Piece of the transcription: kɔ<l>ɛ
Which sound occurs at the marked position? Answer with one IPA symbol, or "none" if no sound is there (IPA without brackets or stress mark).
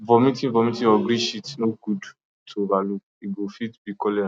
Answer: l